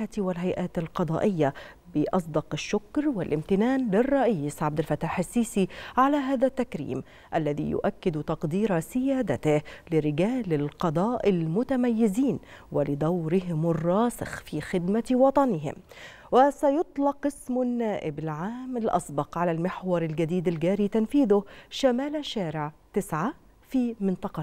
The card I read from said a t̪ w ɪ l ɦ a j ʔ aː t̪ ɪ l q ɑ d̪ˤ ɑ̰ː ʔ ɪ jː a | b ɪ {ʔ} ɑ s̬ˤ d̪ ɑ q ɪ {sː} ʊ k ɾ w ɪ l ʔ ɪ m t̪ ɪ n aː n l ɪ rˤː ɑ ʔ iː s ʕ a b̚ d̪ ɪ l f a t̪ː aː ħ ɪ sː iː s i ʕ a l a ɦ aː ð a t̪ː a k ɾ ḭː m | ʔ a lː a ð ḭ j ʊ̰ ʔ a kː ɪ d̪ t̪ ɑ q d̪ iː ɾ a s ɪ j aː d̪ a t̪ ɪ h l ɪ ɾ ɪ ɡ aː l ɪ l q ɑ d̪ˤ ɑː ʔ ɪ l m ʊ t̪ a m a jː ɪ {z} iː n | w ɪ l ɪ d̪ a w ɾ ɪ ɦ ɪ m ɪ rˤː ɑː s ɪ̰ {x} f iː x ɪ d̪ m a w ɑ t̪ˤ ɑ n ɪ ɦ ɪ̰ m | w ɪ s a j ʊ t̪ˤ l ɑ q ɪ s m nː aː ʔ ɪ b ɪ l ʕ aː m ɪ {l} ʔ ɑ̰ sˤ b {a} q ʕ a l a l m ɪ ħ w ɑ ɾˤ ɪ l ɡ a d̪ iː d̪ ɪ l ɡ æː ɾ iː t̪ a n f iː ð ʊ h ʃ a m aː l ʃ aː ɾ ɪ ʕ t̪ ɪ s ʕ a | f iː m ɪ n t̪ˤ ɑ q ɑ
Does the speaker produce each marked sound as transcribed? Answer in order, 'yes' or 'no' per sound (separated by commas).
yes, no, yes, yes, yes, no